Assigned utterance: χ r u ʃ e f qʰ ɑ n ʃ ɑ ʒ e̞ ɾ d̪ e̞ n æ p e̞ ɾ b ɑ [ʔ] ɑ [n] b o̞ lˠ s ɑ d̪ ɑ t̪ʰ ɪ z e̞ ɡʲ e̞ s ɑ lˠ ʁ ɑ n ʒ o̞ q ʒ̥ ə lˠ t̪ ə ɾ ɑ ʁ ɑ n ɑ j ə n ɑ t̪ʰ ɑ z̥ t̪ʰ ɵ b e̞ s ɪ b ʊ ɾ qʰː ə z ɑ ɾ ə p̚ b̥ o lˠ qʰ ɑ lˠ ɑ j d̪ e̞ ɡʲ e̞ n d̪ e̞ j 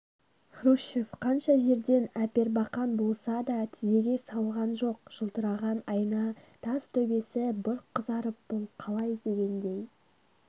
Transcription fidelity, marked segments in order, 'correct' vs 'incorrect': incorrect, correct

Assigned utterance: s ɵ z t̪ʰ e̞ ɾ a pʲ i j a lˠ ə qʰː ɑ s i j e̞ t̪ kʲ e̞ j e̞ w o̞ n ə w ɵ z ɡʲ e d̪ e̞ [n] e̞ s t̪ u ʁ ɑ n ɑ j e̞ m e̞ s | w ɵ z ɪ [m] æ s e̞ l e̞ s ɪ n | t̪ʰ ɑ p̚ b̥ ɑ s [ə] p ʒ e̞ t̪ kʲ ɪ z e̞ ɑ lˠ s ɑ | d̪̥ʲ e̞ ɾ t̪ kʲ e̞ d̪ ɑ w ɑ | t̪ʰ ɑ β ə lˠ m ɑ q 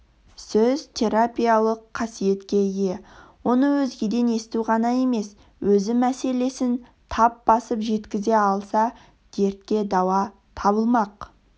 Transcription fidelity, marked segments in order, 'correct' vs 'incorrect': correct, correct, correct

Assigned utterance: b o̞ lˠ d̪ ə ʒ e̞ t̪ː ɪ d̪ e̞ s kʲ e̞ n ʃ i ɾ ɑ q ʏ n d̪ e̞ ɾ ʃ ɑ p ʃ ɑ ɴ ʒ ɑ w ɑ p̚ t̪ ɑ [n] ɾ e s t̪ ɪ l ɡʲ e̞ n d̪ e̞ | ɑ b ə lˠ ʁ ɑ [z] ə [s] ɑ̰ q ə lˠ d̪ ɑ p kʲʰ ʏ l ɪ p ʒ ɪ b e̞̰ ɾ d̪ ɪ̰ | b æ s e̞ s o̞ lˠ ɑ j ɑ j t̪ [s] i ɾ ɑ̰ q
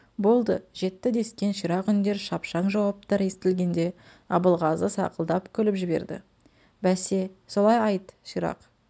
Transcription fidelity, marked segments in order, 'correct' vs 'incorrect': incorrect, correct, correct, incorrect

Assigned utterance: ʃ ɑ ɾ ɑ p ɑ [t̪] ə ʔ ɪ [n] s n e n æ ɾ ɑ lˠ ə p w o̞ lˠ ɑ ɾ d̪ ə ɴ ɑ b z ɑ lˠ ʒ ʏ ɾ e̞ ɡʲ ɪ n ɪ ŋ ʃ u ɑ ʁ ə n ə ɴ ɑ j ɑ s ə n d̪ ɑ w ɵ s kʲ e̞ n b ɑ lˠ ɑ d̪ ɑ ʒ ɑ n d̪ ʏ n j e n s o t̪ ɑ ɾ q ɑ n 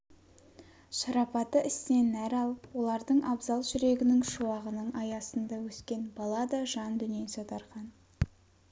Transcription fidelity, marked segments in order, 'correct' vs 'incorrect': correct, incorrect

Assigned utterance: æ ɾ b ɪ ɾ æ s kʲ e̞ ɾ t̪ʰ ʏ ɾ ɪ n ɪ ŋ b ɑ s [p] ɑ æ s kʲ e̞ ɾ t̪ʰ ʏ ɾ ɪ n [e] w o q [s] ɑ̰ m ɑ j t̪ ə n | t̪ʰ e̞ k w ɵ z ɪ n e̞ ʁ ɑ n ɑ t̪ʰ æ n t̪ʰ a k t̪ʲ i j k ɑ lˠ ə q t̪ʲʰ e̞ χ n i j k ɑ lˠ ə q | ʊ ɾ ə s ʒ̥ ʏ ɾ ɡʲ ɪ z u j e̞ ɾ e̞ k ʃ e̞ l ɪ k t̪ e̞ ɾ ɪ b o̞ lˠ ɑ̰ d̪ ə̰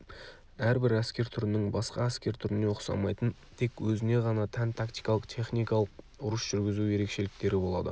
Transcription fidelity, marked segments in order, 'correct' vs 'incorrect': incorrect, correct, correct

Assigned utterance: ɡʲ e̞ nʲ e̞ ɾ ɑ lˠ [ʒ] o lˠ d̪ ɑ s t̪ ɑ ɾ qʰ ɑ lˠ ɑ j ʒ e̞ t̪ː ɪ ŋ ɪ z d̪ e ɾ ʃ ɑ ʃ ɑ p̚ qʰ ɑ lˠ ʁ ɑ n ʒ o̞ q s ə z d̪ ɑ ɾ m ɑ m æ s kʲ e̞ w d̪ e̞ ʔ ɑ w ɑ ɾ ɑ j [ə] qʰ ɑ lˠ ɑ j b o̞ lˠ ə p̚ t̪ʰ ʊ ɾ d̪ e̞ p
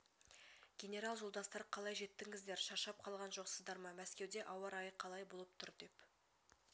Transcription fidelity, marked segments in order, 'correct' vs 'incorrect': correct, correct

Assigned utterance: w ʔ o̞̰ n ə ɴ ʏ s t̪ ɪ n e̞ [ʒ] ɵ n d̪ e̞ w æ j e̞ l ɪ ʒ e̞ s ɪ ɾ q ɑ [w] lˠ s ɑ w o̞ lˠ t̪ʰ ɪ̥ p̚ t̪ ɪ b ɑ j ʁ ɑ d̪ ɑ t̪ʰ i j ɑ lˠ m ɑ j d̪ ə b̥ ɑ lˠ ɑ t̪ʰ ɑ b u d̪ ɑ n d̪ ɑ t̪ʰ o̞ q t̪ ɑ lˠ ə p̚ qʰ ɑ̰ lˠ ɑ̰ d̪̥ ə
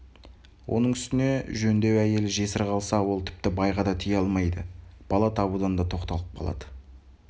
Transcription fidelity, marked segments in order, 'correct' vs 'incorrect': correct, incorrect

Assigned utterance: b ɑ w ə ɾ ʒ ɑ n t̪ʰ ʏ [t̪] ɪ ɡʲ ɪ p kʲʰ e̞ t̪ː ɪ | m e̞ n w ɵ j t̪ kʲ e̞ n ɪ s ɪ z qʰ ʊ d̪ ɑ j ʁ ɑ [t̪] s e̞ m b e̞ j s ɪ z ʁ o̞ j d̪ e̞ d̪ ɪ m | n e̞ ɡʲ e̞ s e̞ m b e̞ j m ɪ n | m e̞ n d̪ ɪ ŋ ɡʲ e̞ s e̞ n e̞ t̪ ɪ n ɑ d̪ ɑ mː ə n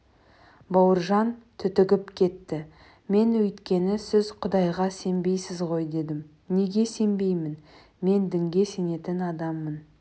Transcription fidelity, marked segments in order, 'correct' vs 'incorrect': correct, incorrect

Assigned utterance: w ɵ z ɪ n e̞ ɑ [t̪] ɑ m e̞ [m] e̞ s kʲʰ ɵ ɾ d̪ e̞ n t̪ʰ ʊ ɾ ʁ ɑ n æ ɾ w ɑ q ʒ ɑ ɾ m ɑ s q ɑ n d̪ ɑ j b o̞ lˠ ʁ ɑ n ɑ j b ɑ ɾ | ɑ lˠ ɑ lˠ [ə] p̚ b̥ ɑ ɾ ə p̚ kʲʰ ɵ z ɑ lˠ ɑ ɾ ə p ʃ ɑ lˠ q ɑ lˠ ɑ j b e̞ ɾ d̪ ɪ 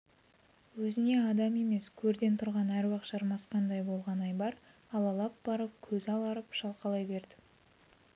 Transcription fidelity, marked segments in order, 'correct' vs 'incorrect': incorrect, correct, incorrect

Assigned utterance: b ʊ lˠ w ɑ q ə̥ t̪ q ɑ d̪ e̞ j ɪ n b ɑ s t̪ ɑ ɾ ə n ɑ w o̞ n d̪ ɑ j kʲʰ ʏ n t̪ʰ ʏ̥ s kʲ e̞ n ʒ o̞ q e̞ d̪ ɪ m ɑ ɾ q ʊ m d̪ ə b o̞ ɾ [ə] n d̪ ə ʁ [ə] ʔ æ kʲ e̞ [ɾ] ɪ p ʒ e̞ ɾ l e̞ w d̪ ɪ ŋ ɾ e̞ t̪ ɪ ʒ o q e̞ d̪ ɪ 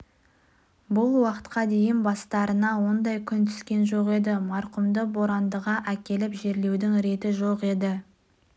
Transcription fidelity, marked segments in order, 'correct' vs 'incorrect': incorrect, incorrect, incorrect

